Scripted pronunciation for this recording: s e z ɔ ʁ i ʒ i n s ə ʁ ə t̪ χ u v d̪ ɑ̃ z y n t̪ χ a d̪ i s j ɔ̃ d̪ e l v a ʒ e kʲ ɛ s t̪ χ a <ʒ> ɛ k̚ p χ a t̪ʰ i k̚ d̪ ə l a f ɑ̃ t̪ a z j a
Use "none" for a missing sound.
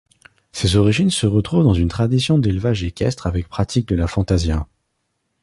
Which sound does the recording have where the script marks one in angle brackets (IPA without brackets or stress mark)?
v